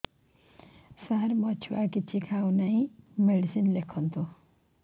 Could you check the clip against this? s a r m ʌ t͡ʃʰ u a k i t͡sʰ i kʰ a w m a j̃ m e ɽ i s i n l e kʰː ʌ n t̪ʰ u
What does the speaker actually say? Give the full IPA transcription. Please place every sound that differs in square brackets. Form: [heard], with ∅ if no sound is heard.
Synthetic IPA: s a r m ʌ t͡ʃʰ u a k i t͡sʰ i kʰ a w [n] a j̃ m e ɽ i s i n l e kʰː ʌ n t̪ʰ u